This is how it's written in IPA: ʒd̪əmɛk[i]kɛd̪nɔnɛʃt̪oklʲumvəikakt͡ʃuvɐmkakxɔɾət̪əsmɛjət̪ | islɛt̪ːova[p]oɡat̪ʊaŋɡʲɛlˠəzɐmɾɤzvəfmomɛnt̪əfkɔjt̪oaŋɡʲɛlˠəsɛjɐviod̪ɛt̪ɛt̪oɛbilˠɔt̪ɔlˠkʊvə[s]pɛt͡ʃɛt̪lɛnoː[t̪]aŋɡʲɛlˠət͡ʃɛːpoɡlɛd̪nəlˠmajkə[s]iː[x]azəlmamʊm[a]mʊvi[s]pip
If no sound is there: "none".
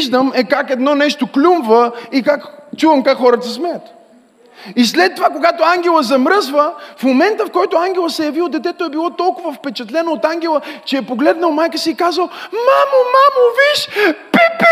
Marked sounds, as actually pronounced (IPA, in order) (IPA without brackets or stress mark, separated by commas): a, k, f, t̪, s, k, a, ʃ